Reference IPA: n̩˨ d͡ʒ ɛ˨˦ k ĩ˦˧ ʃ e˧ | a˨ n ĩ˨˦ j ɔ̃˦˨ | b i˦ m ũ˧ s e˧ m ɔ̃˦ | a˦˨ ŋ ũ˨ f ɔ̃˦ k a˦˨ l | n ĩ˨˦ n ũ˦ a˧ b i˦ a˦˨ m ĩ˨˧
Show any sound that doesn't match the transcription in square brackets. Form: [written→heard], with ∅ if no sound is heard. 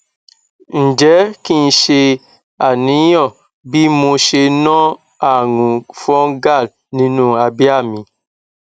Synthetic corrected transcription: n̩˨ d͡ʒ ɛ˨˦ k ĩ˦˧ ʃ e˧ | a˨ n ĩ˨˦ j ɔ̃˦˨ | b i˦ m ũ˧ [s→ʃ] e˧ [m→n] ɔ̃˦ | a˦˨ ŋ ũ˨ f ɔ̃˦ [k→ɡ] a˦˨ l | n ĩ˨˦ n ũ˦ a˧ b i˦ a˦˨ m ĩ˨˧